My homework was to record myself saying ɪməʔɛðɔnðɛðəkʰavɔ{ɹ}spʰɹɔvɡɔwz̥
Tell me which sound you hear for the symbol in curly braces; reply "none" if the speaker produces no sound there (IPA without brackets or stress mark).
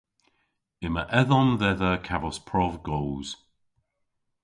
none